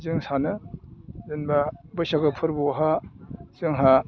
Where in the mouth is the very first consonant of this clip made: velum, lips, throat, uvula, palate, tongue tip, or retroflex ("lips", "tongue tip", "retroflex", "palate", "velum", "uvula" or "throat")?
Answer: tongue tip